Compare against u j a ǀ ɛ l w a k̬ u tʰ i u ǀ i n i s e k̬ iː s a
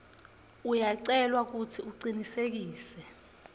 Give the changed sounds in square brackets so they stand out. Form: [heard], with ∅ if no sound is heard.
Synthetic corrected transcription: u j a ǀ ɛ l w a k̬ u tʰ i u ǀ i n i s e k̬ iː s [ɛ]